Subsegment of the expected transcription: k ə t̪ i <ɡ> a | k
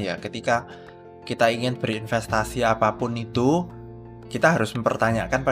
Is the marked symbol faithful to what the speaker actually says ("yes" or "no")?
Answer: no